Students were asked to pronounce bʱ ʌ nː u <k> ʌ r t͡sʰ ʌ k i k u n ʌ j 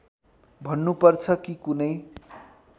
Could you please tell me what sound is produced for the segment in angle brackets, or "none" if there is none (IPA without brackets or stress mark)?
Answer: p